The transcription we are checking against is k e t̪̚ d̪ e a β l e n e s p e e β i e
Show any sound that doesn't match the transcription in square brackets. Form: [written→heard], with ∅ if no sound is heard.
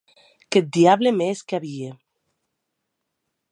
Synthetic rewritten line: k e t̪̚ d̪ [e→i] a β l e [n→m] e s [p→k] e [e→a] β i e